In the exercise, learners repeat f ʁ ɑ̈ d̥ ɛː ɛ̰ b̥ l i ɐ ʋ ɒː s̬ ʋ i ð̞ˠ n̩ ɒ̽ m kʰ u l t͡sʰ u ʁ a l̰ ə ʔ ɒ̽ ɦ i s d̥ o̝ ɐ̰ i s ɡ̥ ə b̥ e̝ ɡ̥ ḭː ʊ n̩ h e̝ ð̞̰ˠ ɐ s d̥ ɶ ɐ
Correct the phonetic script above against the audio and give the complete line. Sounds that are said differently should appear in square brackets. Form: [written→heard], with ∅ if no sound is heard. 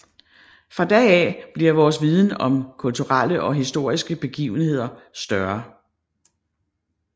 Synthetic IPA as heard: f ʁ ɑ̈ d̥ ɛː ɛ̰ b̥ l i ɐ ʋ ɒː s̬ ʋ i ð̞ˠ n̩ ɒ̽ m kʰ u l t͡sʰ u ʁ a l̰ ə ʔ ɒ̽ ɦ i s d̥ o̝ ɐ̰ i s ɡ̥ ə b̥ e̝ ɡ̥ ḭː ʊ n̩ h e̝ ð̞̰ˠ ɐ s d̥ ɶ ɐ